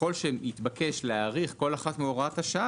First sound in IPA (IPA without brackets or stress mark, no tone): o̞